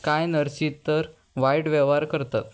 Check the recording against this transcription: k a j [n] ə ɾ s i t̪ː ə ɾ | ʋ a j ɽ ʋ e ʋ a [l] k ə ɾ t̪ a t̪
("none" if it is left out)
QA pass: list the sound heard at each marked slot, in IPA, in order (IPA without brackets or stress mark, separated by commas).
n, ɾ